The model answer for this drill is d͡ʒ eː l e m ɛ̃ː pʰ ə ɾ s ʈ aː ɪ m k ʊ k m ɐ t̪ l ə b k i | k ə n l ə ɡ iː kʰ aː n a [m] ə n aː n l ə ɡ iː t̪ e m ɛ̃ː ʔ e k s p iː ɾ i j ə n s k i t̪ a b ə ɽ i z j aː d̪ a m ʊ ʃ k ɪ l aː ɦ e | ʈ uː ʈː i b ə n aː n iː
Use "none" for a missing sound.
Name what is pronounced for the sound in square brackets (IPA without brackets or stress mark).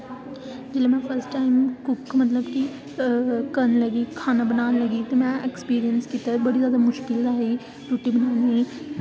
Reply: b